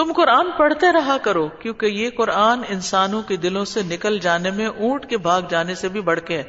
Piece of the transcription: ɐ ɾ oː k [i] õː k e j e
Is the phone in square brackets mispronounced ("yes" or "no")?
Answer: yes